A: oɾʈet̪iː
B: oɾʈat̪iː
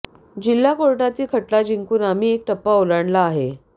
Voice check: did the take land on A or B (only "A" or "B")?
B